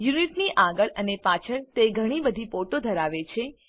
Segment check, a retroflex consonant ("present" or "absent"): present